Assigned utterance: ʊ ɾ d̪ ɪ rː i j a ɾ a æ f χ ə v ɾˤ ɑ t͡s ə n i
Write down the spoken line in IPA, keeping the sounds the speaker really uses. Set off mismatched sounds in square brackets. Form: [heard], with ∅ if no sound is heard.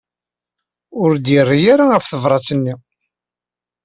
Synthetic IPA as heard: ʊ ɾ d̪ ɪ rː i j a ɾ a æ f [θ] ə v ɾˤ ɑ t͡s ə [nː] i

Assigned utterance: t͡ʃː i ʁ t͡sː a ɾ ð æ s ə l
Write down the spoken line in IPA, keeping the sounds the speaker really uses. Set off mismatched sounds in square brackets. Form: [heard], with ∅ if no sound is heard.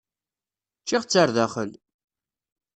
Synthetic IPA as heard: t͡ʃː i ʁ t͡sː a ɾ ð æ [χ] ə l

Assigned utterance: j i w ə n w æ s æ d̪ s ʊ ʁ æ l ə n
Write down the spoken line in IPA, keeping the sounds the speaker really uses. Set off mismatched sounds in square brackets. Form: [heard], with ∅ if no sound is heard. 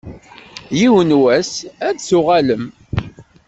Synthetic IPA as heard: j i w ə n w æ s æ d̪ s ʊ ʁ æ l ə [m]

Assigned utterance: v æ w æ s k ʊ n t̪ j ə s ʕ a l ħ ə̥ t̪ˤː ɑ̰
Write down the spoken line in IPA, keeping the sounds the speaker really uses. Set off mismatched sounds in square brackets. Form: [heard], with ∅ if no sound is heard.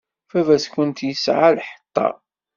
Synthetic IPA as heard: [f] æ [v] æ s k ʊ n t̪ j ə s ʕ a l ħ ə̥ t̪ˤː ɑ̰

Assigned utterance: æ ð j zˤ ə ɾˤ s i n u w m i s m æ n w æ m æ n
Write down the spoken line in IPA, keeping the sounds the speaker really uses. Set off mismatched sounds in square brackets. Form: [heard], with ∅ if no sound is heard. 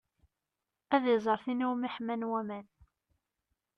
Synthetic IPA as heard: æ ð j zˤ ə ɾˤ [θ] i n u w m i [ħ] m æ n w æ m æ n

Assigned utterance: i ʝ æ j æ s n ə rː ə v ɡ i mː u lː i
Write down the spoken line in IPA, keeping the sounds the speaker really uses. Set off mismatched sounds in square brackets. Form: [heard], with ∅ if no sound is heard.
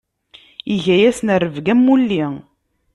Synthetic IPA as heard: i ʝ æ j æ s n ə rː ə v ɡ [æ] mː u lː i

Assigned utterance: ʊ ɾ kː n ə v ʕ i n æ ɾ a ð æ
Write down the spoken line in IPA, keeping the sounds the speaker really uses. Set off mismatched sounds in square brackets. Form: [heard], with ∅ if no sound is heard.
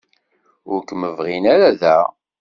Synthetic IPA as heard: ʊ ɾ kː [m] ə v [ʁ] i n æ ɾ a ð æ

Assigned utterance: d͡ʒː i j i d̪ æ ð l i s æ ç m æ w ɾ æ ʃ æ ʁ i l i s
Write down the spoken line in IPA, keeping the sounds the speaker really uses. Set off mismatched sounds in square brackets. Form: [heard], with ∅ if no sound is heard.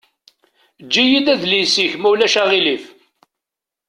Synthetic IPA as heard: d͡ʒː i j i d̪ æ ð l i s [i] ç m æ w [l] æ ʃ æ ʁ i l i [f]

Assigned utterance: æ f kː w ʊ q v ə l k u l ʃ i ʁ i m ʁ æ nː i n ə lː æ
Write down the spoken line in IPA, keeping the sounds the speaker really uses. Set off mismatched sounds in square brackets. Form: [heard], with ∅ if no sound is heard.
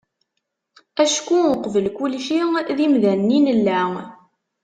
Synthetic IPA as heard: æ [ʃ] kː [u] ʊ q v ə l k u l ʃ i [ð] i m [ð] æ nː i n ə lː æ

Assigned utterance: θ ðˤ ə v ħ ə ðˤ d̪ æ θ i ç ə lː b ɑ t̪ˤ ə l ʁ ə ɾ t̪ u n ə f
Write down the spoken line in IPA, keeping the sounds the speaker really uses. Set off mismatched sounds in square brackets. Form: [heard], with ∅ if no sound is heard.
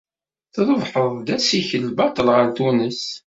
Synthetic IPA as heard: θ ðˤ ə v ħ ə ðˤ d̪ æ [s] i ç ə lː b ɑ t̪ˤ ə l ʁ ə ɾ t̪ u n ə [s]

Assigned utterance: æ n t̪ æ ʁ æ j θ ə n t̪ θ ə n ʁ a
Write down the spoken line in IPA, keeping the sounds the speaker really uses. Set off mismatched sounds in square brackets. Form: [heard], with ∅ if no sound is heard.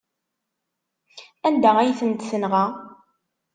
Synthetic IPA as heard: æ n [d̪] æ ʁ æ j θ ə n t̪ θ ə n ʁ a

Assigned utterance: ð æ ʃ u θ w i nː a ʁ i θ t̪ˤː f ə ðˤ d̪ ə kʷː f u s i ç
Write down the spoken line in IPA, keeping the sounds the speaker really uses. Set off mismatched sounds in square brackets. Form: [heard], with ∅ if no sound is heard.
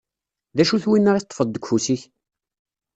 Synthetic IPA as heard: ð æ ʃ u θ w i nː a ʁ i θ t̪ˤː f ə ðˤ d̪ ə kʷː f u s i ç

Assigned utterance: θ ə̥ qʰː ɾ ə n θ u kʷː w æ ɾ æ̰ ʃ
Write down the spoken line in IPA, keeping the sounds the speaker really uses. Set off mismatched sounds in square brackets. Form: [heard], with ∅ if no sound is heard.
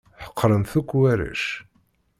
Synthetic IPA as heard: [ħ] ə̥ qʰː ɾ ə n θ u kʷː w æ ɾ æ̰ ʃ

